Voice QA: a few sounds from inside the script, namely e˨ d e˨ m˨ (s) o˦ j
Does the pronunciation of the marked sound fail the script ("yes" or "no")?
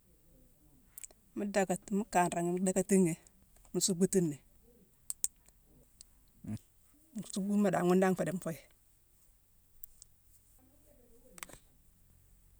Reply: yes